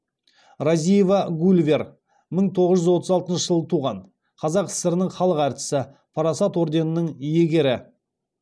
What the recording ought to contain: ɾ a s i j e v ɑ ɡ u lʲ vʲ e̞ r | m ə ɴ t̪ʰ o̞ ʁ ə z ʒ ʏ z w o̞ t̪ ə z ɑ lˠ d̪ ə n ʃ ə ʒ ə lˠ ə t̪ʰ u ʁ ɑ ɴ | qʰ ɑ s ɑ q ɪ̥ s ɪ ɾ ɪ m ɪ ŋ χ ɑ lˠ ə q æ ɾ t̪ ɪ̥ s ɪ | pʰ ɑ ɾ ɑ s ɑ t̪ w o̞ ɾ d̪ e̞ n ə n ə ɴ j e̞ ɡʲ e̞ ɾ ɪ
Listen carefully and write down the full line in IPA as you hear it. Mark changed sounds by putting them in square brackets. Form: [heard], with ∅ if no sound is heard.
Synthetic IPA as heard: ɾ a [z] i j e v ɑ ɡ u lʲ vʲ e̞ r | m ə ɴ t̪ʰ o̞ ʁ ə z ʒ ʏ z w o̞ t̪ ə z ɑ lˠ [t̪] ə n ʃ ə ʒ ə lˠ ə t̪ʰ u ʁ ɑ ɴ | qʰ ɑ [z] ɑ q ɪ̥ s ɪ ɾ ɪ [n] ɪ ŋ χ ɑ lˠ ə q æ ɾ t̪ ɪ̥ s ɪ | pʰ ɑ ɾ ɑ s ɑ t̪ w o̞ ɾ d̪ e̞ n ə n ə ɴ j e̞ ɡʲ e̞ ɾ ɪ